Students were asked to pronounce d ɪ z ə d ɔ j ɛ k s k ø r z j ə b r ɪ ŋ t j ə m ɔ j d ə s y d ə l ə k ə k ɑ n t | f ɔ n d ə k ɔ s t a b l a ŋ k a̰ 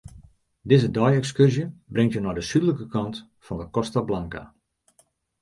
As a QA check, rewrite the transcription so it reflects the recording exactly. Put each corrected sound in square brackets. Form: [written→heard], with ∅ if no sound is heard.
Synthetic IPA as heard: d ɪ z ə d ɔ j ɛ k s k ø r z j ə b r ɪ ŋ t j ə [m→n] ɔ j d ə s y d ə l ə k ə k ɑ n t | f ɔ n d ə k ɔ s t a b l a ŋ k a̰

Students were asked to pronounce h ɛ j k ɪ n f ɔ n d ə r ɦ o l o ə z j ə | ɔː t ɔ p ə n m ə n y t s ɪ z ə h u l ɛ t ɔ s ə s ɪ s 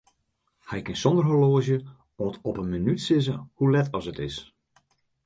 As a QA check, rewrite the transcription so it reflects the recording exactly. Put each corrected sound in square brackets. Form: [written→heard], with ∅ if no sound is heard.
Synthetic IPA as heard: h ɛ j k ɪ n [f→s] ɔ n d ə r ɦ o l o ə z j ə | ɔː t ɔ p ə n m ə n y t s ɪ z ə h u l ɛ t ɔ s ə [s→t] ɪ s

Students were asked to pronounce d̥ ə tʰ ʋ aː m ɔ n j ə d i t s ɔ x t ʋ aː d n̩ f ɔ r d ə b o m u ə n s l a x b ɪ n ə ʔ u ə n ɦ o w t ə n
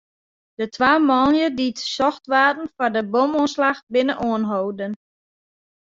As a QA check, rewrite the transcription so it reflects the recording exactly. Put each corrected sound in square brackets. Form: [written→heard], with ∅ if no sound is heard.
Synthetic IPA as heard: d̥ ə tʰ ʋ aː m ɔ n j ə d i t s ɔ x t ʋ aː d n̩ f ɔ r d ə b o m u ə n s l a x b ɪ n ə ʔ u ə n ɦ o w [t→d] ə n

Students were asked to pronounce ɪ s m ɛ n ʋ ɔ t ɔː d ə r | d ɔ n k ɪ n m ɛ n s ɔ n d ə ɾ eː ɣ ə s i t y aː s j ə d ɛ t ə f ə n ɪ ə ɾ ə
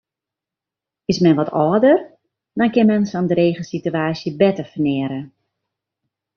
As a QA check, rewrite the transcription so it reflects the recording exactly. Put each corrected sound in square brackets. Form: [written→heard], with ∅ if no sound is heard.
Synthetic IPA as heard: ɪ s m ɛ n ʋ ɔ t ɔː d ə r | d ɔ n k ɪ n m ɛ n s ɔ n d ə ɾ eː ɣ ə s i t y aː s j ə [d→b] ɛ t ə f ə n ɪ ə ɾ ə

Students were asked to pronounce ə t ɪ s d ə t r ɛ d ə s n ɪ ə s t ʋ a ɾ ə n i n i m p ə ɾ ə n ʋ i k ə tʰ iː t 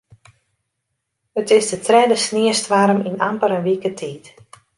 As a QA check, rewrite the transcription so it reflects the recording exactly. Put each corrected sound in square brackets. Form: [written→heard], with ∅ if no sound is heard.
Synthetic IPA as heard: ə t ɪ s d ə t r ɛ d ə s n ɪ ə s t ʋ a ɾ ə [n→m] i n [i→a] m p ə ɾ ə n ʋ i k ə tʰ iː t

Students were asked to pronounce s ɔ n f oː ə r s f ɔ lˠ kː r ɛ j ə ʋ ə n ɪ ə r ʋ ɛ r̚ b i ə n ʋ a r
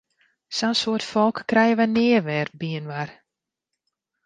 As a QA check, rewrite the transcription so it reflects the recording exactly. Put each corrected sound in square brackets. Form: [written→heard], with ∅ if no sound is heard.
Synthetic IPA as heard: s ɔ n [f→s] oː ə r [s→t] f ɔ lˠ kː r ɛ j ə ʋ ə n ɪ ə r ʋ ɛ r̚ b i ə n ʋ a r

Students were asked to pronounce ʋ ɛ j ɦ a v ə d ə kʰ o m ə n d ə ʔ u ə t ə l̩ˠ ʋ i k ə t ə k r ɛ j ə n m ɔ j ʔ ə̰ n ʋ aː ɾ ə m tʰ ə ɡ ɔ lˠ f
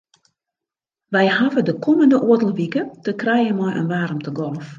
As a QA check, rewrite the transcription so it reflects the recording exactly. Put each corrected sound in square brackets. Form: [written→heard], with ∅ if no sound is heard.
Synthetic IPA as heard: ʋ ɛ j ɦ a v ə d ə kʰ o m ə n d ə ʔ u ə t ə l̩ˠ ʋ i k ə t ə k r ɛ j ə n m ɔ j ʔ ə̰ n ʋ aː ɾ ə m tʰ ə ɡ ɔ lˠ f

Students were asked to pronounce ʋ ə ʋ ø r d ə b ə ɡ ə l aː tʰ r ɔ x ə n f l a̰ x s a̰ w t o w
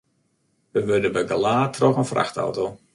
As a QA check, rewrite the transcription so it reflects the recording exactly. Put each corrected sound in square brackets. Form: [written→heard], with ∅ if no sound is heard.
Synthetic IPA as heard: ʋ ə ʋ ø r d ə b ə ɡ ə l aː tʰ r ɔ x ə n f [l→r] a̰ x [s→t] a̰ w t o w

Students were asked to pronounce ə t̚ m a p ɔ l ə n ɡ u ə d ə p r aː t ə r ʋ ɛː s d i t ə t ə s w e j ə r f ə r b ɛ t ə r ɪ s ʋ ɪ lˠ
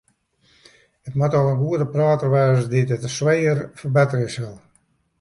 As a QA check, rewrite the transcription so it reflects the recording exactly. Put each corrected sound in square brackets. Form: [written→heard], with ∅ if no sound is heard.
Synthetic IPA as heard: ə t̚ m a [p→t] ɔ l ə n ɡ u ə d ə p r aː t ə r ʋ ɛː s d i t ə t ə s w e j ə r f ə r b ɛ t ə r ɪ s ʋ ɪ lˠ

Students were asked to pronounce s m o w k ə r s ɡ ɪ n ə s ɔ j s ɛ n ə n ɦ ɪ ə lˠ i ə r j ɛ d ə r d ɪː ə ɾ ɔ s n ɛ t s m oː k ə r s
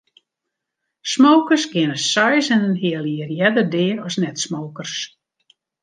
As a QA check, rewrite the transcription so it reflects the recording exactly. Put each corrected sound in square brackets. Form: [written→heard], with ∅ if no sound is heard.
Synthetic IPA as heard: s m o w k ə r s ɡ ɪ n ə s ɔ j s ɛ n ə n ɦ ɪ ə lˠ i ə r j ɛ d ə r d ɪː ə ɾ ɔ s n ɛ t s m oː k ə r s

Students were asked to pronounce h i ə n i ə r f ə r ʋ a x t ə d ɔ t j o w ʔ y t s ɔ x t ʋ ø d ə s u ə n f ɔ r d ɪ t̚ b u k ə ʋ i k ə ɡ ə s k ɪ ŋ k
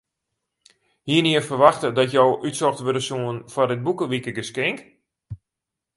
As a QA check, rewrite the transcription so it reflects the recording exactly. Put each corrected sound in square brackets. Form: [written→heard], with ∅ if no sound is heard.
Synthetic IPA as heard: h i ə n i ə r f ə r ʋ a x t ə d ɔ t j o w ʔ y t s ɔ x t ʋ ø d ə s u ə n f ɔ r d ɪ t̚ b u k ə ʋ i k ə ɡ ə s k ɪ ŋ k

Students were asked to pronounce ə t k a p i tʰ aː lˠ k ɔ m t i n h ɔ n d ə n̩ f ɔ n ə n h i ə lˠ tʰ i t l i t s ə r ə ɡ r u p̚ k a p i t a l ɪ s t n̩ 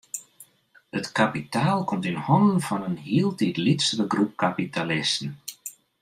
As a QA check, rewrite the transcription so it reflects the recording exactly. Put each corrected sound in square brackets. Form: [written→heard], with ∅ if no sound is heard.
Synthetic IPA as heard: ə t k a p i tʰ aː lˠ k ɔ m t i n h ɔ n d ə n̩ f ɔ n ə n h i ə lˠ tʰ i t l i t s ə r ə ɡ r u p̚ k a p i t a l ɪ s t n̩

